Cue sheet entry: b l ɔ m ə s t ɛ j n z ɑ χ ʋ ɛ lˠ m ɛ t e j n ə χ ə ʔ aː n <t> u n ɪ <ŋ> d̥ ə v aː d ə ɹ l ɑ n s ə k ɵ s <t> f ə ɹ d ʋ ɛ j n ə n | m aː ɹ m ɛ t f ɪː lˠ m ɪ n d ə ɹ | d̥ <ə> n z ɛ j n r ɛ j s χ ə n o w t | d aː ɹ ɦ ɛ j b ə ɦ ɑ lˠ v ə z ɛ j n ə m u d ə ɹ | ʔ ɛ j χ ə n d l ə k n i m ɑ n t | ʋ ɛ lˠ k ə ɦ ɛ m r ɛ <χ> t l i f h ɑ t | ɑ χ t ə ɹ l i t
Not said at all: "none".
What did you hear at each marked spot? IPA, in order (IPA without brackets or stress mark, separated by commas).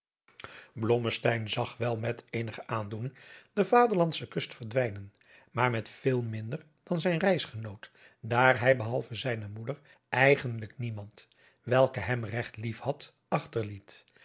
d, ŋ, t, ɑ, χ